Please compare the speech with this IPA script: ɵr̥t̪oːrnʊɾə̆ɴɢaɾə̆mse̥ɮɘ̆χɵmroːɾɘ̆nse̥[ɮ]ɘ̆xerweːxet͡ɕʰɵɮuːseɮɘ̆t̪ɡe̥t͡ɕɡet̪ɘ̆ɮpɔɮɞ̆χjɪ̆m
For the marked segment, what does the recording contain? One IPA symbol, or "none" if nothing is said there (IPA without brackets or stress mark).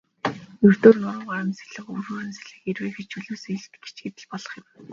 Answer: ɮ